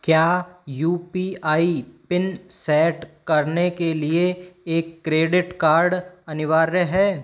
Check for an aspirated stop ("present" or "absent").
absent